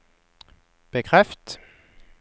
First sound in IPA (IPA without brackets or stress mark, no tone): b̥